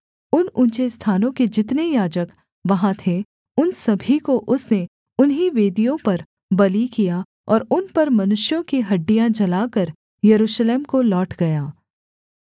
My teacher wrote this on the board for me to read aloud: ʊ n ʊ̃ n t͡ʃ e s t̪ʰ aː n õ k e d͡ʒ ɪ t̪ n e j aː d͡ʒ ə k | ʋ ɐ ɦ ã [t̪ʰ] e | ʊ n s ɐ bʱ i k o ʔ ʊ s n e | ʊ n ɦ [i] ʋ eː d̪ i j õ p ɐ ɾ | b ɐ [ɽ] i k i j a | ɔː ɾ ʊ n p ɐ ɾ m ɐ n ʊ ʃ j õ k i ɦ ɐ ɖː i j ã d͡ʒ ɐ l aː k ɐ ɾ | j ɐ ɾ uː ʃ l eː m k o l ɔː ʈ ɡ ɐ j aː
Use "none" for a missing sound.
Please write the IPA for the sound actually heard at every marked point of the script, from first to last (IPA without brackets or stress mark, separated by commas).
t̪ʰ, i, l